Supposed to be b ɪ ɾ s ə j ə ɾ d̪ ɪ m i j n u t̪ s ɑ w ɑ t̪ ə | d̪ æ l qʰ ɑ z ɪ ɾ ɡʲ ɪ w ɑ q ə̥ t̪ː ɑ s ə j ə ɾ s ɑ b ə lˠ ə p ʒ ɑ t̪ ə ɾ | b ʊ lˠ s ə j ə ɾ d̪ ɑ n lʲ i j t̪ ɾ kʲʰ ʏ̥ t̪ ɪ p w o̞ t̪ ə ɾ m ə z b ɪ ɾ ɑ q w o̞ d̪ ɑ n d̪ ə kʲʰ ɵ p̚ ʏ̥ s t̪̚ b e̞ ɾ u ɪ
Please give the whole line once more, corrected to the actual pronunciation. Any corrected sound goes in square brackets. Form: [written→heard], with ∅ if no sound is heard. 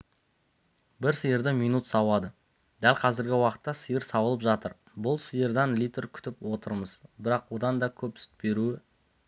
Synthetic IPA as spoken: b ɪ ɾ s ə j ə ɾ d̪ ɪ m i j n u t̪ s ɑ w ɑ [t̪→d̪] ə | d̪ æ l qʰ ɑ z ɪ ɾ ɡʲ ɪ w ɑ q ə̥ t̪ː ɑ s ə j ə ɾ s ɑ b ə lˠ ə p ʒ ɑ t̪ ə ɾ | b ʊ lˠ s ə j ə ɾ d̪ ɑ n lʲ i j t̪ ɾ kʲʰ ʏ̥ t̪ ɪ p w o̞ t̪ ə ɾ m ə z b ɪ ɾ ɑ q w o̞ d̪ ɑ n d̪ [ə→ɑ] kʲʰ ɵ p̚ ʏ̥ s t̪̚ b e̞ ɾ u ɪ